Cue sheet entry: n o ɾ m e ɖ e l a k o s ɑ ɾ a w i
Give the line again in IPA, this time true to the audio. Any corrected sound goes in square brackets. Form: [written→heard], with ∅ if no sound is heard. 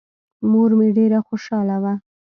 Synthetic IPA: [n→m] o ɾ m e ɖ e [l→ɾ] a [k→x] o [s→ʃ] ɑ [ɾ→l] a w [i→a]